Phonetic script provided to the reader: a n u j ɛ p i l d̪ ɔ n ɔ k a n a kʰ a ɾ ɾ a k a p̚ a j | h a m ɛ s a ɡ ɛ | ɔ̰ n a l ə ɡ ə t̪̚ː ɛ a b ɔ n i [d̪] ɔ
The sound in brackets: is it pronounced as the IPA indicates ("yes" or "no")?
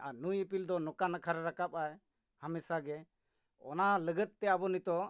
no